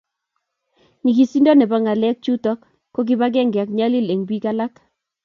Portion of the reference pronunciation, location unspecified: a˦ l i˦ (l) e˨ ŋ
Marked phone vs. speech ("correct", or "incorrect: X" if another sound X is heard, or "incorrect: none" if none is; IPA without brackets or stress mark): correct